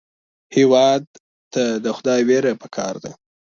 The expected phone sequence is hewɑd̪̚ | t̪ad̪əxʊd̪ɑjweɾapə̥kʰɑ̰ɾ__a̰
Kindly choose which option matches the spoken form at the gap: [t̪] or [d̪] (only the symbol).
d̪